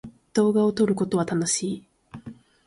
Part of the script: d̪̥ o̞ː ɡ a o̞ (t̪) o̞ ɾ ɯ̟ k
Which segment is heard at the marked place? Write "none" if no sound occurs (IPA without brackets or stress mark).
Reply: t̪